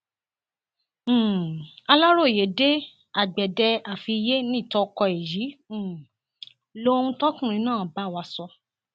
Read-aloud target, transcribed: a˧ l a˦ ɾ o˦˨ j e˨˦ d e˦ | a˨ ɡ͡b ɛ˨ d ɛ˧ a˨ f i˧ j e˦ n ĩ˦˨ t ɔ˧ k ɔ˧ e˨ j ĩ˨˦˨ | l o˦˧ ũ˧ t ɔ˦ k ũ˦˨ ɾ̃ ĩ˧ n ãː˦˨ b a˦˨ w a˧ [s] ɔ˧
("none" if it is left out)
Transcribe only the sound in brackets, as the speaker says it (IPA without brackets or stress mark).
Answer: s